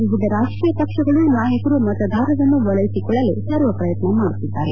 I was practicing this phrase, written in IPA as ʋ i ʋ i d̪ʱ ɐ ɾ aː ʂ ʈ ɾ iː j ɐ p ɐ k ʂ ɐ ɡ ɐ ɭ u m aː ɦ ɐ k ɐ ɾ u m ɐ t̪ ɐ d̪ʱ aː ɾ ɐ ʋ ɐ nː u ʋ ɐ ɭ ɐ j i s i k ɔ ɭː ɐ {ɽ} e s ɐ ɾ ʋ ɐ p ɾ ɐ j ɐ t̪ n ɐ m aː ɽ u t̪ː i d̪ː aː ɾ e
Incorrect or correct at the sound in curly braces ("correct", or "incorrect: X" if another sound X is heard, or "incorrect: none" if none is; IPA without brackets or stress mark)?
incorrect: l